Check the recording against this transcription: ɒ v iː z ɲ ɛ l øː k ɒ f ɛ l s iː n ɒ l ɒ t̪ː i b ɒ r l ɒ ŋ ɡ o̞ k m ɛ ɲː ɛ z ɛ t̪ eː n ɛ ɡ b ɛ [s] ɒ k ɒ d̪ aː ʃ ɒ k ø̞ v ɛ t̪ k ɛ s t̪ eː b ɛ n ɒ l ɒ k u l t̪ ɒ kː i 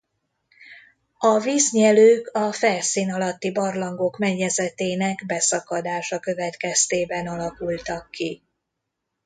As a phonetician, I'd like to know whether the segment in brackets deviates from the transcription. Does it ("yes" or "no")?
no